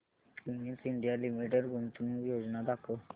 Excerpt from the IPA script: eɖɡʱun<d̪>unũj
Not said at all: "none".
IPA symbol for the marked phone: t̪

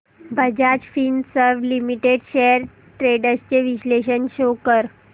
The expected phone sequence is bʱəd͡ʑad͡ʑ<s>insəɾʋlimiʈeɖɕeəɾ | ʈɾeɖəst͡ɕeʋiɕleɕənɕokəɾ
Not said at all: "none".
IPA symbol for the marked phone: f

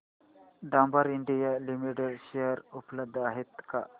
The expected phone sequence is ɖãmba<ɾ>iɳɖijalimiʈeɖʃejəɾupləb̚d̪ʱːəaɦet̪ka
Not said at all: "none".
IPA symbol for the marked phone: ɾ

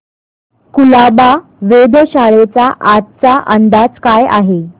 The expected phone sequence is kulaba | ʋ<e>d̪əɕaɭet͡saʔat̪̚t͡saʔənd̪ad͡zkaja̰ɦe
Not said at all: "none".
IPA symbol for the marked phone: e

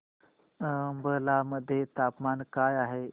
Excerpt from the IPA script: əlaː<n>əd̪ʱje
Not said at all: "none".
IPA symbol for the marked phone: m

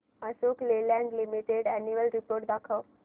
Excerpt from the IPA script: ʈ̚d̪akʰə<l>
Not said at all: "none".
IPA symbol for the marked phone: none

